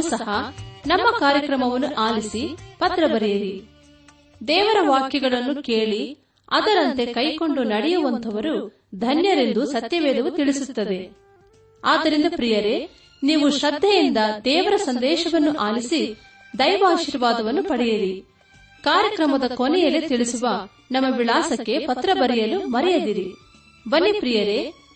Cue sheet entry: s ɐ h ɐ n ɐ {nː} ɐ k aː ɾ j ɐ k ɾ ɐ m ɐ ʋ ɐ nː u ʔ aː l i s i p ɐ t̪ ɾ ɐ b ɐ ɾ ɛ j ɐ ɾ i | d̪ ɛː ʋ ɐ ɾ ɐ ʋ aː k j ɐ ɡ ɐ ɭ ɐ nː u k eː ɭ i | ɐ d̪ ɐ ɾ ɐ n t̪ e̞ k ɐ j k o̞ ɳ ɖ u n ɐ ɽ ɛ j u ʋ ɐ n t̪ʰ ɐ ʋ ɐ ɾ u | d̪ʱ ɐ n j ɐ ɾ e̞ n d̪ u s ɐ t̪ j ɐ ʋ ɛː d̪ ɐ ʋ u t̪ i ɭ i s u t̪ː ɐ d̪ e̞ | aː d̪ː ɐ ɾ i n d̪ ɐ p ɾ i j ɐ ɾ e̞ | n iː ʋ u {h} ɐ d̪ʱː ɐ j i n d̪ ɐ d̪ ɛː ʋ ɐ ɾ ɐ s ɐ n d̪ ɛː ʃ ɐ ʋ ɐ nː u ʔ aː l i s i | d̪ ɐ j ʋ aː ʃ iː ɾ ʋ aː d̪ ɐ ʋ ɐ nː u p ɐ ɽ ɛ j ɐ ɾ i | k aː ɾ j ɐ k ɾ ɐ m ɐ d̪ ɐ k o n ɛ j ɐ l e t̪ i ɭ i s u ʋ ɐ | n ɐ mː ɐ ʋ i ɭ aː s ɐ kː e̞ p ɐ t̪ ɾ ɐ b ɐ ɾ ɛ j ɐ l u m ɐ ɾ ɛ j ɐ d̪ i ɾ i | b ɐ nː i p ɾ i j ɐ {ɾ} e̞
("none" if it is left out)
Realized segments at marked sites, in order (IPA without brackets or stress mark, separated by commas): mː, ʃ, ɾ